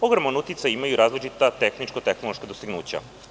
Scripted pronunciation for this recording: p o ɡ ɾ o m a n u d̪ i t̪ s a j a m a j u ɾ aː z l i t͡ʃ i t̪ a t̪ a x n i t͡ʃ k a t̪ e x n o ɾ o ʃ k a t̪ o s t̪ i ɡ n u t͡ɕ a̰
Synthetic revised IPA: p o ɡ ɾ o m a n u t̪ i t̪ s a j i m a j u ɾ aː z l i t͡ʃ i t̪ a t̪ e x n i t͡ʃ k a t̪ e x n o l o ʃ k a d̪ o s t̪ i ɡ n uː t͡ɕ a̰